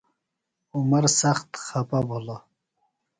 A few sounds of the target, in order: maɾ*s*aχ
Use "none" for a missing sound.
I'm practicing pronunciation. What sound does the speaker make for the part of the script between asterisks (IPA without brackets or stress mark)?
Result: s